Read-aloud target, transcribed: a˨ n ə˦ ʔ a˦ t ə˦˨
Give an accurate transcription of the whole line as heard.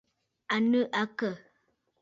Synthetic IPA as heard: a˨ n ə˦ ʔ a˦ k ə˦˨